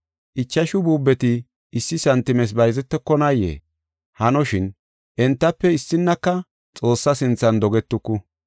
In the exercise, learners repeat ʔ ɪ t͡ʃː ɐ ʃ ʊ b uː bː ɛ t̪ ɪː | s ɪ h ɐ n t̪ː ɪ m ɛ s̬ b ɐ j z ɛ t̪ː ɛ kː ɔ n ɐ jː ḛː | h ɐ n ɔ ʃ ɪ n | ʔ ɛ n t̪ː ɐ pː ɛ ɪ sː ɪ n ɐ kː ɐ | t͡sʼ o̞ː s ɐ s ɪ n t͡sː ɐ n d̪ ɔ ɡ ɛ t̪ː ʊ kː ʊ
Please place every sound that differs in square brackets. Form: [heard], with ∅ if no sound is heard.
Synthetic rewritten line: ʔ ɪ t͡ʃː ɐ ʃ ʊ b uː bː ɛ t̪ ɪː | [sː] ɪ [s] ɐ n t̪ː ɪ m ɛ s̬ b ɐ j z ɛ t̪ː ɛ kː ɔ n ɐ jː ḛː | h ɐ n ɔ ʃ ɪ n | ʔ ɛ n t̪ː ɐ pː ɛ ɪ sː ɪ [nː] ɐ kː ɐ | t͡sʼ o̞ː [sː] ɐ s ɪ n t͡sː ɐ n d̪ ɔ ɡ ɛ t̪ː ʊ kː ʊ